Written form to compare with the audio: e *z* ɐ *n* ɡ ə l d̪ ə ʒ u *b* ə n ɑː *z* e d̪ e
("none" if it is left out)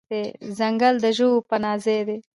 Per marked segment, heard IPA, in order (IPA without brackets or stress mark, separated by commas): z, ŋ, p, z